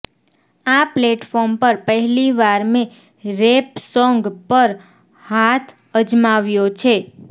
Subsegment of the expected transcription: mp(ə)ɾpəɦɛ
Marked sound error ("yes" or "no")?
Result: no